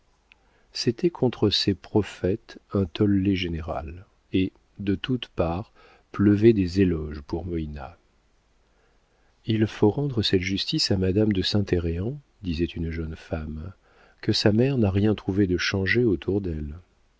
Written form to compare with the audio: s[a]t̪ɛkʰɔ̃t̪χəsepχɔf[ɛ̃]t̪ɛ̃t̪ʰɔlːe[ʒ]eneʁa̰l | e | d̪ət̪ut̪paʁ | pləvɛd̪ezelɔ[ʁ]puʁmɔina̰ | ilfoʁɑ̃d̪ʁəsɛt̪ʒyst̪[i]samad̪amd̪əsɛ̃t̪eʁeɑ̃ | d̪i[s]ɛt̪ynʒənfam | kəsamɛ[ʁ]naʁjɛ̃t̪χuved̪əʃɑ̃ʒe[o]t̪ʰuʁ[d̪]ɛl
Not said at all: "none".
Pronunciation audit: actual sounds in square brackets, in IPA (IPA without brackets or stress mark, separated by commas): e, ɛ, ʒ, ʒ, i, z, ʁ, o, d̪